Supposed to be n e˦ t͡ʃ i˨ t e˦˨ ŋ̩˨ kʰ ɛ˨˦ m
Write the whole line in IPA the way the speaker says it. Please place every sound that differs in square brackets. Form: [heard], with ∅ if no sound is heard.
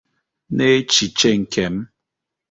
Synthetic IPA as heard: n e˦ t͡ʃ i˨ [t͡ʃ] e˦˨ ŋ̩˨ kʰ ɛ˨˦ m